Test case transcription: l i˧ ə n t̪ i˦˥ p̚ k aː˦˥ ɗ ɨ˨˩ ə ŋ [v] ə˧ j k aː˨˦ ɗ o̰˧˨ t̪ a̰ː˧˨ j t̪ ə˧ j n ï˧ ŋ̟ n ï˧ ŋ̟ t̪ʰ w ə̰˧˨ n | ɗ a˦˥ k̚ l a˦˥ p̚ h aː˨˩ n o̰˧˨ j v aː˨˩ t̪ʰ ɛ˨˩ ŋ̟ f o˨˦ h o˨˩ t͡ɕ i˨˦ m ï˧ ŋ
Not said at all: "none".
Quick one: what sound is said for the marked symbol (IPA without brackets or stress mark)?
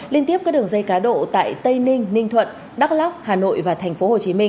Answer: z